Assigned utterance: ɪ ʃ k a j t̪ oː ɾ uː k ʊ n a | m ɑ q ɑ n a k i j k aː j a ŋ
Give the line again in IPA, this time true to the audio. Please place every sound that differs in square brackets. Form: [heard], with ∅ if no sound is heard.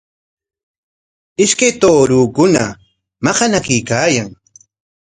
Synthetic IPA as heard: ɪ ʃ k a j t̪ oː ɾ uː k ʊ n a | m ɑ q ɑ n a k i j k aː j a ŋ